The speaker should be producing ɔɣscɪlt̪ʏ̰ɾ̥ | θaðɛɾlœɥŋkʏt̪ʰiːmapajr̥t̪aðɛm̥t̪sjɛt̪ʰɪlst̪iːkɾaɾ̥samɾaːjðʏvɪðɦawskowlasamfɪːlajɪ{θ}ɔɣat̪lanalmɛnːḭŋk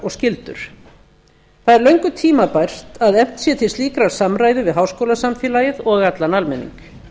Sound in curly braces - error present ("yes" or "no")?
yes